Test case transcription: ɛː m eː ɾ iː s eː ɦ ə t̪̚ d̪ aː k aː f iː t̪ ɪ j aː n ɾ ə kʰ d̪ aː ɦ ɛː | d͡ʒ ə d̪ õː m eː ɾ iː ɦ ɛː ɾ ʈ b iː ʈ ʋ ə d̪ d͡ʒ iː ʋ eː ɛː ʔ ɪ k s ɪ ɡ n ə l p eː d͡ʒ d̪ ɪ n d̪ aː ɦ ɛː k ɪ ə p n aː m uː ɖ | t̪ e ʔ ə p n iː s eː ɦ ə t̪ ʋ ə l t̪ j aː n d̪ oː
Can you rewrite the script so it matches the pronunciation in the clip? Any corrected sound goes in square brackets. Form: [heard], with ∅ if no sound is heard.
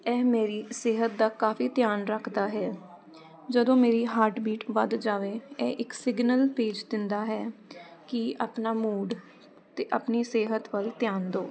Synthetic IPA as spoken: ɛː m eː ɾ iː s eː ɦ ə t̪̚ d̪ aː k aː f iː t̪ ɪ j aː n ɾ ə kʰ d̪ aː ɦ ɛː | d͡ʒ ə d̪ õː m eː ɾ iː ɦ [aː] ɾ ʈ b iː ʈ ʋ ə d̪ d͡ʒ [aː] ʋ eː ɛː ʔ ɪ k s ɪ ɡ n ə l p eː d͡ʒ d̪ ɪ n d̪ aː ɦ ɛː k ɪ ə p n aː m uː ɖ | t̪ e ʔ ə p n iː s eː ɦ ə t̪ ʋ ə l t̪ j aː n d̪ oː